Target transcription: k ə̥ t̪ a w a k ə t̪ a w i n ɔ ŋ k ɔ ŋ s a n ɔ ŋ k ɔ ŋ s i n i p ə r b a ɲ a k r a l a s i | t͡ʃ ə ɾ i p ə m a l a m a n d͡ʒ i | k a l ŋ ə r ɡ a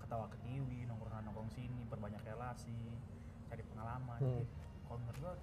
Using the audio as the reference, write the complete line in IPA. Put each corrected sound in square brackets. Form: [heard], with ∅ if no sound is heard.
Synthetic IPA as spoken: k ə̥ t̪ a w a k ə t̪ [i] w i n ɔ ŋ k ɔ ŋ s a n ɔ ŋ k ɔ ŋ s i n i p ə r b a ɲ a k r [e] l a s i | t͡ʃ [a] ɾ i p ə [ŋ] a l a m a n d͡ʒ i | k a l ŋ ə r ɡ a